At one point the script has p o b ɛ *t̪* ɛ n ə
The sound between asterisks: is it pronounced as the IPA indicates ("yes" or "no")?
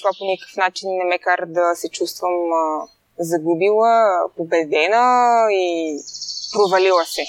no